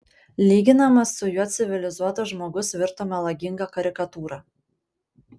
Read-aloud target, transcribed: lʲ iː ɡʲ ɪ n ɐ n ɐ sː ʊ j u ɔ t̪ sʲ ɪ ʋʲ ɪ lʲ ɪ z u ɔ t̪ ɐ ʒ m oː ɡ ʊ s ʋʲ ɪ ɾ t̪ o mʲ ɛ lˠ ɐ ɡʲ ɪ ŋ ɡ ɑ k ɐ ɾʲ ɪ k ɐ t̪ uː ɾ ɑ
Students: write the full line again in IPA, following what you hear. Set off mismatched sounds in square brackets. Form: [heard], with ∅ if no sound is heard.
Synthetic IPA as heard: lʲ iː ɡʲ ɪ n ɐ [m] ɐ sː ʊ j u ɔ t̪ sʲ ɪ ʋʲ ɪ lʲ ɪ z u ɔ t̪ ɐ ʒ m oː ɡ ʊ s ʋʲ ɪ ɾ t̪ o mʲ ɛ lˠ ɐ ɡʲ ɪ ŋ ɡ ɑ k ɐ ɾʲ ɪ k ɐ t̪ uː ɾ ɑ